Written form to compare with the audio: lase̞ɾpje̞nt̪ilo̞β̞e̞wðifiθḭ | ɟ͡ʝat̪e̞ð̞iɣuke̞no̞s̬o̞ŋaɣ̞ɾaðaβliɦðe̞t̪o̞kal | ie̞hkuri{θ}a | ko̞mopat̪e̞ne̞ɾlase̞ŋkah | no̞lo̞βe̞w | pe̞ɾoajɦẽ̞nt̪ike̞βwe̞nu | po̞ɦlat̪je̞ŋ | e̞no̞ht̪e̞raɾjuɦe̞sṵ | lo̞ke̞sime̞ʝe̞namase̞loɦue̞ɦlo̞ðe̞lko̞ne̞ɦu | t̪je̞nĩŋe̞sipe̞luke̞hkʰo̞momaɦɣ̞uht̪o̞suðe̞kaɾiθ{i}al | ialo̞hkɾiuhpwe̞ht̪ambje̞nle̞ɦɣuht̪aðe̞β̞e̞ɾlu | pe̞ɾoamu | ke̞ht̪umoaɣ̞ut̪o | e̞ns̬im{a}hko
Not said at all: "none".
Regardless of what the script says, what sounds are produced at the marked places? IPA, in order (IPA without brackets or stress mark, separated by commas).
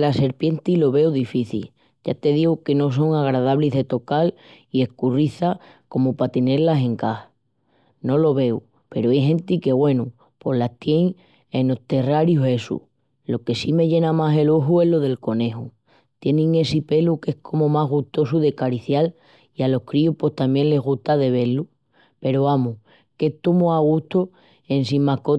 θ, j, a